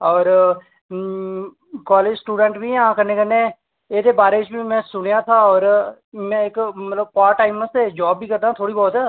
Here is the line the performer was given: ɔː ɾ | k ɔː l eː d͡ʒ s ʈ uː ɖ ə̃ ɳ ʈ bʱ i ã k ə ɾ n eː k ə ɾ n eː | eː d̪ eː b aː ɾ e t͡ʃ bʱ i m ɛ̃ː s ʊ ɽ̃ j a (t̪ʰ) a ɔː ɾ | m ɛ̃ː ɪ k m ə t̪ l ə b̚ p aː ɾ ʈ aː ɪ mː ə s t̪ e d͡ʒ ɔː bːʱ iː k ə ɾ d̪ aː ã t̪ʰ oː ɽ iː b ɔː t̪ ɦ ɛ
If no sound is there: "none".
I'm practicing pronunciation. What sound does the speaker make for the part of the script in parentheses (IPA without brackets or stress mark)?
t̪ʰ